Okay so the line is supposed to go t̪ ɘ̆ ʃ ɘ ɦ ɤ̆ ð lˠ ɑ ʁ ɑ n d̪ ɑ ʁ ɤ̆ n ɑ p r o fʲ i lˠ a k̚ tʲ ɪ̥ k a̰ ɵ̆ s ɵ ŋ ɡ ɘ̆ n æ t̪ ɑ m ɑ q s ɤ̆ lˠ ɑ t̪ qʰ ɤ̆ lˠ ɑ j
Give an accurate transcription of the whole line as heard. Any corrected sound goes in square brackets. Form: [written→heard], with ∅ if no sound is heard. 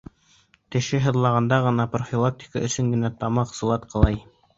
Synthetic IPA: t̪ ɘ̆ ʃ ɘ ɦ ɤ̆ ð lˠ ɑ ʁ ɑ n d̪ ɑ ʁ ɤ̆ n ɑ p r o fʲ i lˠ a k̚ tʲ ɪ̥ k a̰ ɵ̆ s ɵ ŋ ɡ ɘ̆ n æ t̪ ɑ m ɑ q s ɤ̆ lˠ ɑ t̪ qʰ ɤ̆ lˠ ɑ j

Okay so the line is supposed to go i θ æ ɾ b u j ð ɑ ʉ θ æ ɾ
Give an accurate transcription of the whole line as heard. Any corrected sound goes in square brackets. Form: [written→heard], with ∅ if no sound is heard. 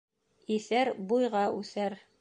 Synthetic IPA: i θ æ ɾ b u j [ð→ʁ] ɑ ʉ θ æ ɾ

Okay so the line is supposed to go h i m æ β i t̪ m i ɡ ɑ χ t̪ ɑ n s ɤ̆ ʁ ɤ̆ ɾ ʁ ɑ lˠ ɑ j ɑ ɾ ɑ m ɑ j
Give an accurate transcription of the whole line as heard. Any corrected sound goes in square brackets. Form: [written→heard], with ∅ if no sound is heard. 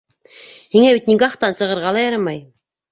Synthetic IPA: h i [m→ŋ] æ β i t̪ [m→n] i ɡ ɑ χ t̪ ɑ n s ɤ̆ ʁ ɤ̆ ɾ ʁ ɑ lˠ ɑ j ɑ ɾ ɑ m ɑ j

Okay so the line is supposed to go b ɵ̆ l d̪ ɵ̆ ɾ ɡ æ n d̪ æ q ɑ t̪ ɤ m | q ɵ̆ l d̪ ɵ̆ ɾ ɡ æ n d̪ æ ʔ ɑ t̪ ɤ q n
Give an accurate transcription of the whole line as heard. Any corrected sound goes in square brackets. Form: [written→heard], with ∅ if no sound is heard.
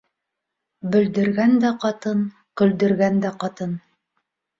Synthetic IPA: b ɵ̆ l d̪ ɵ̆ ɾ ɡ æ n d̪ æ q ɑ t̪ ɤ [m→n] | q ɵ̆ l d̪ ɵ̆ ɾ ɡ æ n d̪ æ [ʔ→q] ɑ t̪ ɤ [q→∅] n

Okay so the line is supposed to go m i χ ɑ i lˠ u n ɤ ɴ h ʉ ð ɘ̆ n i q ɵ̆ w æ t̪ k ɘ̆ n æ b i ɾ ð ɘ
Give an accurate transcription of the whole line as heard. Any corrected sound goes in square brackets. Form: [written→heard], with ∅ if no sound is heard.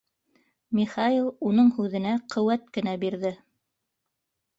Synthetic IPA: m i χ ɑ i lˠ u n ɤ ɴ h ʉ ð ɘ̆ n [i→æ] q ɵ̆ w æ t̪ k ɘ̆ n æ b i ɾ ð ɘ

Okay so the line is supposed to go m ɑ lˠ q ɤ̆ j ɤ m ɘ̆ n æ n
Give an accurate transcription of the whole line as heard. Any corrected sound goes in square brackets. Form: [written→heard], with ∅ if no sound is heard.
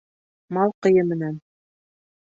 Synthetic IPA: m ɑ lˠ q ɤ̆ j ɤ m ɘ̆ n æ n

